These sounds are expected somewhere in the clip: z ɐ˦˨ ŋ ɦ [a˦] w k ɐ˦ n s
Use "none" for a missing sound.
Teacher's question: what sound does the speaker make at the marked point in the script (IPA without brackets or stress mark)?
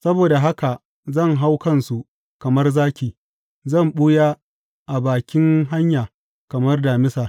a˦